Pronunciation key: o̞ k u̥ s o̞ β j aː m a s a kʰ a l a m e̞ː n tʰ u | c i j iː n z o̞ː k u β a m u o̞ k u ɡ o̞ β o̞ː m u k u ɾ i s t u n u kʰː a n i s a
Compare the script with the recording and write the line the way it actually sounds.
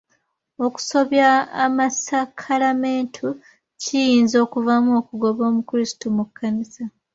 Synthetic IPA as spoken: o̞ k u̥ s o̞ β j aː m a s a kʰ a l a m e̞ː n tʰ u | c i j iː n z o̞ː k u v a m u o̞ k u ɡ o̞ β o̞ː m u k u ɾ i s t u m u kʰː a n i s a

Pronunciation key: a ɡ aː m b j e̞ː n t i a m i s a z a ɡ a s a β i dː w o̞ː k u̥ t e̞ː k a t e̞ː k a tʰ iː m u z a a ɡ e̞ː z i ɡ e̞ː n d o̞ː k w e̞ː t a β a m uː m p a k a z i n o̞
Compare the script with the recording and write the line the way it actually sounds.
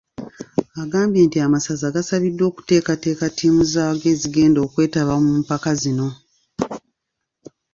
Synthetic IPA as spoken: a ɡ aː m b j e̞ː n t i a m a s a z a ɡ a s a β i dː w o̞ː k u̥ t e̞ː k a t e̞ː k a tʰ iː m u z a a ɡ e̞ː z i ɡ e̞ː n d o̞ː k w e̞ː t a β a m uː m p a k a z i n o̞

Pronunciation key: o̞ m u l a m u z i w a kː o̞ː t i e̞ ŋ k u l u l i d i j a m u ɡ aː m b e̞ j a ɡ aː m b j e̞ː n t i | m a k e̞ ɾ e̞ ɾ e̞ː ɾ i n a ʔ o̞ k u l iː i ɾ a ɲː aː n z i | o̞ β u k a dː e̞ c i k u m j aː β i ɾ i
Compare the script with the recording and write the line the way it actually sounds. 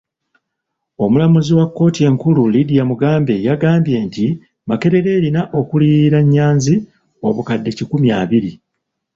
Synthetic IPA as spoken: o̞ m u l a m u z i w a kː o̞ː t i e̞ ŋ k u l u l i d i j a m u ɡ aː m b e̞ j a ɡ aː m b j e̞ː n t i | m a k e̞ ɾ e̞ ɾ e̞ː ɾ i n a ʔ o̞ k u l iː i ɾ a ɲː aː n z i | o̞ β u k a dː e̞ c i k u m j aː β i ɾ i

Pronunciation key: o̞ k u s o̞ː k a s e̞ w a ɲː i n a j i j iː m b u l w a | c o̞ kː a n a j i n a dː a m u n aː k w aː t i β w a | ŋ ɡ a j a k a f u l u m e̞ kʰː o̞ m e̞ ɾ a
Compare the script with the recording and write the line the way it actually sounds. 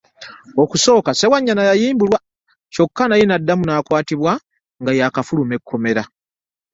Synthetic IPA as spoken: o̞ k u s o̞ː k a s e̞ w a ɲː a n a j a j iː m b u l w a | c o̞ kː a n a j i n a dː a m u n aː k w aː t i β w a | ŋ ɡ a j a k a f u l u m e̞ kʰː o̞ m e̞ ɾ a

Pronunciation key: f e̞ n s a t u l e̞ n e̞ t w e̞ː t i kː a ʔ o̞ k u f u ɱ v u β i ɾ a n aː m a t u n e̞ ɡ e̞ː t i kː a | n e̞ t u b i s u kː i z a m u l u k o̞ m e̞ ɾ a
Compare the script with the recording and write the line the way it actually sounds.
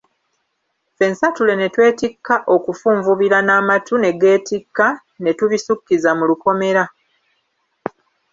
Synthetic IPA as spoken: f e̞ n s a t u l e̞ n e̞ t w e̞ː t i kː a ʔ o̞ k u f uː ɱ v u β i ɾ a n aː m a t u n e̞ ɡ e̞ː t i kː a | n e̞ t u β i s u kː i z a m u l u k o̞ m e̞ ɾ a

